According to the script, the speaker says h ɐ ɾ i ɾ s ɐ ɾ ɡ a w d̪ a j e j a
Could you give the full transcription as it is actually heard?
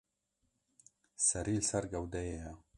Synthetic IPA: s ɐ ɾ i l s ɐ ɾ ɡ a w d̪ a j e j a